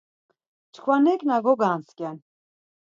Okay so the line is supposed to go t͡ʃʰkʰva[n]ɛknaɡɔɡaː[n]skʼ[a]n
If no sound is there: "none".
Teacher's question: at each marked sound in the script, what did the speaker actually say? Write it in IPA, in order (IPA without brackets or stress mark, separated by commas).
n, n, ɛ